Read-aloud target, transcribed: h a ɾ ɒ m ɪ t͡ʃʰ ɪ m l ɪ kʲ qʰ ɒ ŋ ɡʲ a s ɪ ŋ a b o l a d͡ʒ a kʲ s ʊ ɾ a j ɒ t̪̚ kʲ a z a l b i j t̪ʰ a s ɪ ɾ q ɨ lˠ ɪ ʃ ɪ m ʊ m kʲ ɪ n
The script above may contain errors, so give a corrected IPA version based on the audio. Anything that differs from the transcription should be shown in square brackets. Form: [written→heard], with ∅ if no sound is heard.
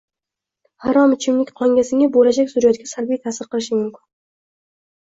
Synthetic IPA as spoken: h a ɾ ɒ m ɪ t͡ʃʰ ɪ m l ɪ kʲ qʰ ɒ ŋ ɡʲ a s ɪ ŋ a b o l a d͡ʒ a kʲ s ʊ ɾ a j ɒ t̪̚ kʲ a [z→s] a l b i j t̪ʰ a s ɪ ɾ q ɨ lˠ ɪ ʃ ɪ m ʊ m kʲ ɪ n